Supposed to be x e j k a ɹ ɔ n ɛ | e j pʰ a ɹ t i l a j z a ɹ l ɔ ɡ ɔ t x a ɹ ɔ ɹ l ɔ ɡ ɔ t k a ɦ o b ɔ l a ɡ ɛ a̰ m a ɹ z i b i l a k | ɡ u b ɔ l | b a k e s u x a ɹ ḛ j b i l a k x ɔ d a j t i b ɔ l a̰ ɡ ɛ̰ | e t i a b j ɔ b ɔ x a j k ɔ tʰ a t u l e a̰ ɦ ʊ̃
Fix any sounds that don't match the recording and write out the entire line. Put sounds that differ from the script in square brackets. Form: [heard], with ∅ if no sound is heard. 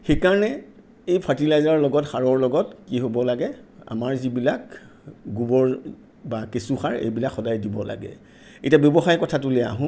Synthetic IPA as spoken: x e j k a ɹ ɔ n ɛ | e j pʰ a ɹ t i l a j z a ɹ l ɔ ɡ ɔ t x a ɹ ɔ ɹ l ɔ ɡ ɔ t k [i] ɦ o b ɔ l a ɡ ɛ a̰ m a ɹ z i b i l a k | ɡ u b ɔ [ɹ] | b a k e s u x a ɹ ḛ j b i l a k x ɔ d a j [d] i b ɔ l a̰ ɡ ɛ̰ | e t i a b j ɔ b ɔ x a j k ɔ tʰ a t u l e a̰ ɦ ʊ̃